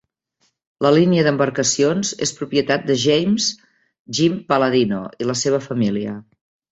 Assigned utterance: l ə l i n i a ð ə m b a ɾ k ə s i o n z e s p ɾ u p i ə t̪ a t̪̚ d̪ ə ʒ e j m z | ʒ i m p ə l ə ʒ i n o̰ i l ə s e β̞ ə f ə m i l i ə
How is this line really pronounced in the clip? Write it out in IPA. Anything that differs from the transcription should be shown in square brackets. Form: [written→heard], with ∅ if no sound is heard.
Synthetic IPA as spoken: l ə l i n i [a→ə] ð ə m b [a→ə] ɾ k ə s i o n z e s p ɾ u p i ə t̪ a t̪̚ d̪ ə ʒ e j m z | ʒ i m p ə l ə [ʒ→ð] i n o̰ i l ə s e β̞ ə f ə m i l i ə